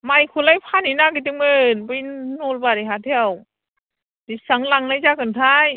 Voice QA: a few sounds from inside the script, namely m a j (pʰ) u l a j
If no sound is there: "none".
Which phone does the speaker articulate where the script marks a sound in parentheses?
kʰ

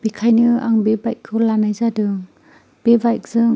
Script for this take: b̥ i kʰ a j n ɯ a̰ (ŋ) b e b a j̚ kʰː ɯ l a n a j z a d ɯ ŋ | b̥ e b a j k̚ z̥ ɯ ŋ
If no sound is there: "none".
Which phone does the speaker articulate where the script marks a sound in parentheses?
ŋ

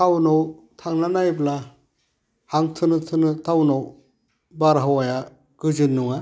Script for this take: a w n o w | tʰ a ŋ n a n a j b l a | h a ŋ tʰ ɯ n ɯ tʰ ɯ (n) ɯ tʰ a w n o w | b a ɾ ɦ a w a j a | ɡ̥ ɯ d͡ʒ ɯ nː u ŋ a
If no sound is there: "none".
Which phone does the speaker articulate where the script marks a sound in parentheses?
n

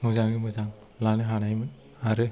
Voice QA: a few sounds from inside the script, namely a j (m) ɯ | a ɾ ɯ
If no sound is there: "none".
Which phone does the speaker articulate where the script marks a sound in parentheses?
m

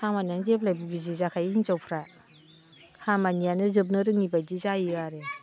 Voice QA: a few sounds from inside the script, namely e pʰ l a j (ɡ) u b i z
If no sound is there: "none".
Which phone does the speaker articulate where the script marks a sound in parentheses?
b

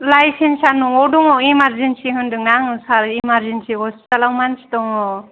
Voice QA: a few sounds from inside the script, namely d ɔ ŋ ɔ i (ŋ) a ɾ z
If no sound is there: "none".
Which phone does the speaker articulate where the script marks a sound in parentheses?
m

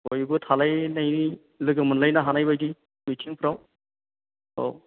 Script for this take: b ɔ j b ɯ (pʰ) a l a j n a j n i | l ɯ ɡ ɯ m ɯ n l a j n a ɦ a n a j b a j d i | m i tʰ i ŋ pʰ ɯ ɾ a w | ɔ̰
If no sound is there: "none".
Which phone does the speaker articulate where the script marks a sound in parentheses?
tʰ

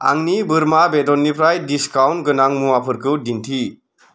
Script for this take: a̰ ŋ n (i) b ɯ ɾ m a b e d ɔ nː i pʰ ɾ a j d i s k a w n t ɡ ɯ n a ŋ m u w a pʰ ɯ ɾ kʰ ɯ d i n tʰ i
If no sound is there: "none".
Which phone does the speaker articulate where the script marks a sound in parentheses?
i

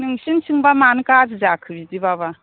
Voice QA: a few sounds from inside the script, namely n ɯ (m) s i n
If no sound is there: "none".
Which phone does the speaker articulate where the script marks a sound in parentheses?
ŋ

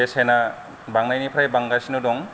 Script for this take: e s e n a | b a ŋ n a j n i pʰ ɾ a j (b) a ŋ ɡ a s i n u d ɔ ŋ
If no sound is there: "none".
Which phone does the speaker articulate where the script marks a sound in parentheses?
b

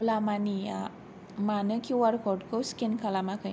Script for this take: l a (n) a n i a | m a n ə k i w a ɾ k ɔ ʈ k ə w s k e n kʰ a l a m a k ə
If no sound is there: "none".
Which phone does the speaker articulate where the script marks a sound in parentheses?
m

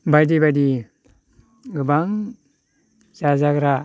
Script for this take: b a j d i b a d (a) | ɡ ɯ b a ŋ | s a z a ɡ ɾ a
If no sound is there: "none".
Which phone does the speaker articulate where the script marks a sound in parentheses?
i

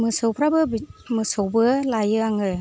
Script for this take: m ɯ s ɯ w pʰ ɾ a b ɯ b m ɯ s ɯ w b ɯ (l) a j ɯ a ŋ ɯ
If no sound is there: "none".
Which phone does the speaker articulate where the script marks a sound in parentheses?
l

